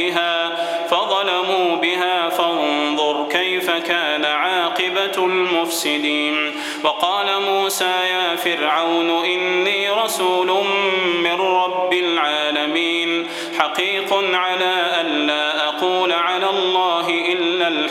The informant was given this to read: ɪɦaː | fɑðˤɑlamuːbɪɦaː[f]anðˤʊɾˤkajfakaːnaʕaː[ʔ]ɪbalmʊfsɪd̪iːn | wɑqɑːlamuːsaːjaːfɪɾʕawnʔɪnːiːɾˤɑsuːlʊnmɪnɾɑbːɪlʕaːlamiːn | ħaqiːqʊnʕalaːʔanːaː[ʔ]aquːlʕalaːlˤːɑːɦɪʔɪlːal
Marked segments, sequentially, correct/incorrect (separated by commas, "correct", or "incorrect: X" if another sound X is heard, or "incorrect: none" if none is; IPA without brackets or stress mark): correct, incorrect: q, correct